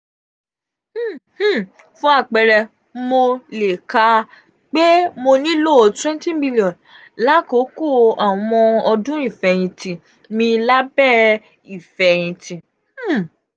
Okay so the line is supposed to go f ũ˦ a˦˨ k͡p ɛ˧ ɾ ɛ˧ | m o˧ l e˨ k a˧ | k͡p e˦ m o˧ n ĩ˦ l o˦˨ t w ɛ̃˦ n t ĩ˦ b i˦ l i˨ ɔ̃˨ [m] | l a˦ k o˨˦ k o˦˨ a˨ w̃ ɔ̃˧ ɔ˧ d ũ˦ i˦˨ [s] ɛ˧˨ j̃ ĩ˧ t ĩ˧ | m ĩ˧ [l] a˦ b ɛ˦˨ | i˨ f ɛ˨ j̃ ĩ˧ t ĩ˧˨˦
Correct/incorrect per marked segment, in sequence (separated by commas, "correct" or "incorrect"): incorrect, incorrect, correct